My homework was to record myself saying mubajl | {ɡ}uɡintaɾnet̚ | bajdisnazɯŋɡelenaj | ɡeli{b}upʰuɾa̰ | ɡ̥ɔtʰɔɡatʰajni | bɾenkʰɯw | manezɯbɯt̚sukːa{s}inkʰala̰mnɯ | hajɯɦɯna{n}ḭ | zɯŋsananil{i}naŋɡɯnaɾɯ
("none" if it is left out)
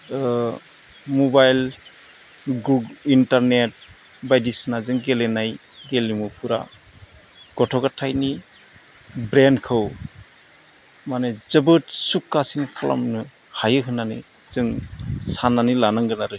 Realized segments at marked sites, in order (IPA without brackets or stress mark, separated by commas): ɡ, m, s, n, a